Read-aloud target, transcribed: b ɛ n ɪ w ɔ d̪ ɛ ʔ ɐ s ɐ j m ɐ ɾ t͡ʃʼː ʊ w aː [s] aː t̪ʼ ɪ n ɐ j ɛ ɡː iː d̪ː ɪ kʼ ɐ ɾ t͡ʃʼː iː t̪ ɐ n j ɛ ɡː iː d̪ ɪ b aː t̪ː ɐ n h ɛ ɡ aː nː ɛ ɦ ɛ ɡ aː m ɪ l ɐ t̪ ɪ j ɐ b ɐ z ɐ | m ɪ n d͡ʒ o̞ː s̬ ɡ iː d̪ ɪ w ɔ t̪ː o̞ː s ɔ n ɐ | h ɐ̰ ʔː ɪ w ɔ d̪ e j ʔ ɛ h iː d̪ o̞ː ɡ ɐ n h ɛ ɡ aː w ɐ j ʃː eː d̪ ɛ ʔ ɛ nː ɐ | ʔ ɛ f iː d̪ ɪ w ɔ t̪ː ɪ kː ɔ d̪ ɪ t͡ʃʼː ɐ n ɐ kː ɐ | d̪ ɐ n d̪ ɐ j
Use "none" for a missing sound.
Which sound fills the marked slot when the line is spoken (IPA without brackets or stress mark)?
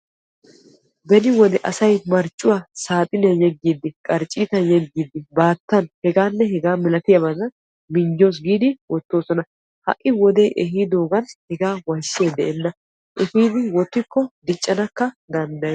s